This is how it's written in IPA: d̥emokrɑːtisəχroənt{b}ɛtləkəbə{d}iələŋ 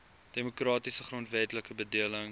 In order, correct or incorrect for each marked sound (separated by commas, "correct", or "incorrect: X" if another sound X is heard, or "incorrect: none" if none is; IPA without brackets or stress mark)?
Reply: incorrect: v, correct